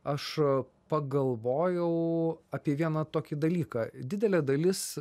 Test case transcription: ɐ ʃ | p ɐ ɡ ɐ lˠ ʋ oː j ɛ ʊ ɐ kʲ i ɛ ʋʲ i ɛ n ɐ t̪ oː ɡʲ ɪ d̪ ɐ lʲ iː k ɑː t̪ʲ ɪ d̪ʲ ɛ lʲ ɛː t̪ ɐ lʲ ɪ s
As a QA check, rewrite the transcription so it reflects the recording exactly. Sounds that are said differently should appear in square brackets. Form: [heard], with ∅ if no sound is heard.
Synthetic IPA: ɐ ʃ | p ɐ ɡ ɐ lˠ ʋ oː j ɛ ʊ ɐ [pʲ] i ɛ ʋʲ i ɛ n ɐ t̪ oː [kʲ] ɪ d̪ ɐ lʲ iː k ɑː [d̪ʲ] ɪ d̪ʲ ɛ lʲ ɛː [d̪] ɐ lʲ ɪ s